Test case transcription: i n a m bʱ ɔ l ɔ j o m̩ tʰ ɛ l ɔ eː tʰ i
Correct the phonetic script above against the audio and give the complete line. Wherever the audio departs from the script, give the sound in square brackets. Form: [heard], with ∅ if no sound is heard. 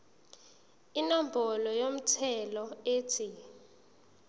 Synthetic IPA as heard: i n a m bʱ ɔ l ɔ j o m̩ tʰ ɛ l ɔ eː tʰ i